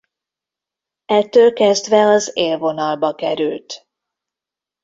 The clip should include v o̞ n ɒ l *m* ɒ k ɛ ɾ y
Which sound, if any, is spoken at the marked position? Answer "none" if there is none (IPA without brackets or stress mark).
b